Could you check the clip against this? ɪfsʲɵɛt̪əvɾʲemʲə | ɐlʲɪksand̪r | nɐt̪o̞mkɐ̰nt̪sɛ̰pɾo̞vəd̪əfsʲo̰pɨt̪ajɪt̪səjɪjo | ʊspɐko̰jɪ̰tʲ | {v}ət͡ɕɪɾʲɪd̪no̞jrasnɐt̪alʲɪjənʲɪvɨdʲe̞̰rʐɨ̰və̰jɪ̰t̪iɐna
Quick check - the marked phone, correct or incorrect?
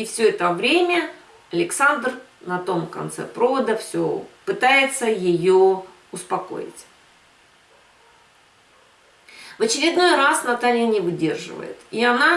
correct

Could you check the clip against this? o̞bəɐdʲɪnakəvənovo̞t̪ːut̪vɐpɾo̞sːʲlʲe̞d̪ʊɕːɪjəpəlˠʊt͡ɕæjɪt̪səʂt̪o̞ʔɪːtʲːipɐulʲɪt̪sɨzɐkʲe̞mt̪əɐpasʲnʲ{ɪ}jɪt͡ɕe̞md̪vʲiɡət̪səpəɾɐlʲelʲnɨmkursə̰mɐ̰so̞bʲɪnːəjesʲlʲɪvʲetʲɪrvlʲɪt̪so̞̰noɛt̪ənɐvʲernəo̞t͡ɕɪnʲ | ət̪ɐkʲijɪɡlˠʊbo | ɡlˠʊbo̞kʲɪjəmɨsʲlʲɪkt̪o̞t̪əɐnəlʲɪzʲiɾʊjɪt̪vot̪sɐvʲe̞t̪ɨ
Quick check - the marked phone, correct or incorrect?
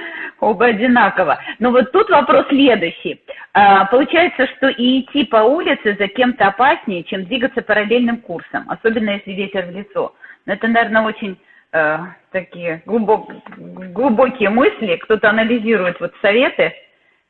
correct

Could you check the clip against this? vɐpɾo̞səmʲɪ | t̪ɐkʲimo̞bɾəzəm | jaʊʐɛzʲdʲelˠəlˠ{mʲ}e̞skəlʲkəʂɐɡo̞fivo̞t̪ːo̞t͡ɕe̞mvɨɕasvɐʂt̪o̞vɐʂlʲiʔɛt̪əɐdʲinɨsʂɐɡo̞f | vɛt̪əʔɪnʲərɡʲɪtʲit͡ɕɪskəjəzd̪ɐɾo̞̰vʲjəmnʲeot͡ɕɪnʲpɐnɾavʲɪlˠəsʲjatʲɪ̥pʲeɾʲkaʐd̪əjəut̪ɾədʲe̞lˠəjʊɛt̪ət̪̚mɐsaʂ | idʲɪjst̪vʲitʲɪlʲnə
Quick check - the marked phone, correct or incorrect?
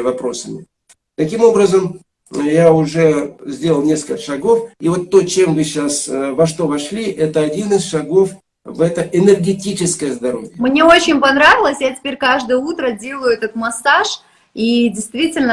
incorrect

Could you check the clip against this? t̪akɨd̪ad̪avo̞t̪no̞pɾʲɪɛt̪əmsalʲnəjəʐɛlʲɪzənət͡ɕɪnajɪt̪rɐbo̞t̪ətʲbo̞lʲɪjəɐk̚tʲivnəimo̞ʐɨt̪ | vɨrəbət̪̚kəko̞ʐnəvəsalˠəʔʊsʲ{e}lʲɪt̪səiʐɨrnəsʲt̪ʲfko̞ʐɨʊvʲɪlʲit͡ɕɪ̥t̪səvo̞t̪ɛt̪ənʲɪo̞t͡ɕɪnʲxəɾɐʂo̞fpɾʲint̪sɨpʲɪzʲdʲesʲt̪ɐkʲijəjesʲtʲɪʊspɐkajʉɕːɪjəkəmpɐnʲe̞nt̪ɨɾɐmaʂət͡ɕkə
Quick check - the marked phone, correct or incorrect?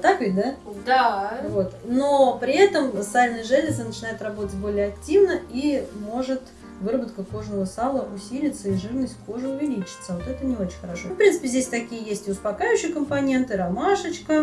incorrect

